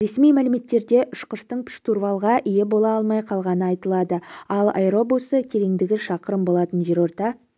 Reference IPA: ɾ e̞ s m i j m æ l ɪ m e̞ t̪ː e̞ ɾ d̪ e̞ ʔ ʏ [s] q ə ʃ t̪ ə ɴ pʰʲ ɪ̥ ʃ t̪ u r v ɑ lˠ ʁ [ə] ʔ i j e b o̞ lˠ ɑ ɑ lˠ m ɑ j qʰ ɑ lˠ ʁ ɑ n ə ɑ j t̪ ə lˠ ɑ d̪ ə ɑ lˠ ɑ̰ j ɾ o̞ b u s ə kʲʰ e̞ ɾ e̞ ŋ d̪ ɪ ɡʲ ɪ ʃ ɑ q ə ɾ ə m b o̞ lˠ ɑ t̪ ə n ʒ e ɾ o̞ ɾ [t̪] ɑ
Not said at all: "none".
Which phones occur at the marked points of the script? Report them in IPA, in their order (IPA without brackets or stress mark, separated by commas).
ʃ, ɑ, t̪